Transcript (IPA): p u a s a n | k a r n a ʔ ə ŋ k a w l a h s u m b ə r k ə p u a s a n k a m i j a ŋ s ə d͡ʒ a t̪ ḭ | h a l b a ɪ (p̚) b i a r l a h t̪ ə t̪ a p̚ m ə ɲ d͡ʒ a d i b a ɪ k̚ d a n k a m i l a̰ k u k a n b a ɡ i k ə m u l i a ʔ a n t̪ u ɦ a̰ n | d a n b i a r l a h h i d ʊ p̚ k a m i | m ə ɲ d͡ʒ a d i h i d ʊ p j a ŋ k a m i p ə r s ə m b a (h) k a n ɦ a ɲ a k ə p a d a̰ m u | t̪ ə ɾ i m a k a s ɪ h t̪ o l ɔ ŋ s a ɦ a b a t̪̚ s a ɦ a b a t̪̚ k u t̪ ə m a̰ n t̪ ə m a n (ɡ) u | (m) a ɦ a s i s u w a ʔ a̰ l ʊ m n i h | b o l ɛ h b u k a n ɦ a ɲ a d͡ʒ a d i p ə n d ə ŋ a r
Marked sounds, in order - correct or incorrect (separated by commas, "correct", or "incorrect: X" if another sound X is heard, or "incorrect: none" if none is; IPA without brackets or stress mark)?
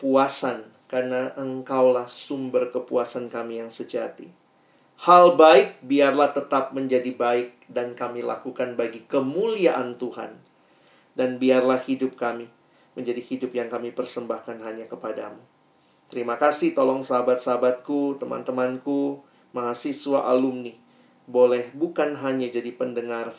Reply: incorrect: k̚, correct, incorrect: k, correct